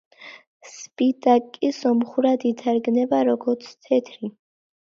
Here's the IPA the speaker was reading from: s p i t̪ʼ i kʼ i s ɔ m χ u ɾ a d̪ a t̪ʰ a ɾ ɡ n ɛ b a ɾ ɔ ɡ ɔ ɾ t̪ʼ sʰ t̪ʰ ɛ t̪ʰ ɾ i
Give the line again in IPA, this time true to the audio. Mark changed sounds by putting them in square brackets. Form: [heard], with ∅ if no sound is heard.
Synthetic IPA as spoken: s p i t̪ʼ [a] kʼ i s ɔ m χ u ɾ a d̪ [i] t̪ʰ a ɾ ɡ n ɛ b a ɾ ɔ ɡ ɔ ɾ [t̪] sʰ t̪ʰ ɛ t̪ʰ ɾ i